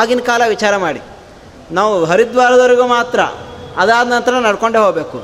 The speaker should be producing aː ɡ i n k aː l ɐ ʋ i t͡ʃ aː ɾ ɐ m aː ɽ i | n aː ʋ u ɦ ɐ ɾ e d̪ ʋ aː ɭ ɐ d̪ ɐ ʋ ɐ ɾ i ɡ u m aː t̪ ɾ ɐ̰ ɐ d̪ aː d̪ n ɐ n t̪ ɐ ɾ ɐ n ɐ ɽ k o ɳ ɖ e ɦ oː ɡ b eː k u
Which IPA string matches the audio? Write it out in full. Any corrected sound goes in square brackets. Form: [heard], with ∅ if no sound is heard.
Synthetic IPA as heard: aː ɡ i n k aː l ɐ ʋ i t͡ʃ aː ɾ ɐ m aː ɽ i | n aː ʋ u ɦ ɐ ɾ [i] d̪ ʋ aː [ɾ] ɐ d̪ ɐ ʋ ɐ ɾ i ɡ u m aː t̪ ɾ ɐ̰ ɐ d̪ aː d̪ n ɐ n t̪ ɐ ɾ ɐ n ɐ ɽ k o ɳ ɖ e ɦ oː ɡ b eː k u